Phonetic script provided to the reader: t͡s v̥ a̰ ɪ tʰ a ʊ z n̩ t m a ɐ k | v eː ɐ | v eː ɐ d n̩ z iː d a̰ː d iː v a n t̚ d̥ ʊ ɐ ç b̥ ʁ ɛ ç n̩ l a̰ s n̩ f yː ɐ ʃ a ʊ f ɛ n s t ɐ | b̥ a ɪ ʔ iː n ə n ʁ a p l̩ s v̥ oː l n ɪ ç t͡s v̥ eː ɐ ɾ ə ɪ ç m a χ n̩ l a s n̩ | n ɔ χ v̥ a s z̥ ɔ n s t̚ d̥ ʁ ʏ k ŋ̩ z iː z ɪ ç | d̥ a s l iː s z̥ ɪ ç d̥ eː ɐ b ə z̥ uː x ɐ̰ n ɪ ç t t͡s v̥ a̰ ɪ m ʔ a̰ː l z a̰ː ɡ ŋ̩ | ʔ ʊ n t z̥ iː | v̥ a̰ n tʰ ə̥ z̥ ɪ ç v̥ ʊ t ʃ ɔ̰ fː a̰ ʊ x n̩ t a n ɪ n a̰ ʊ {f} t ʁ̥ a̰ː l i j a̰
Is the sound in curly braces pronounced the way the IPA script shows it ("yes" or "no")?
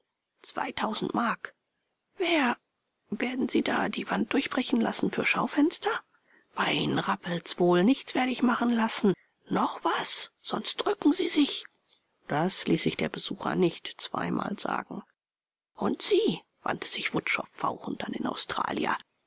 no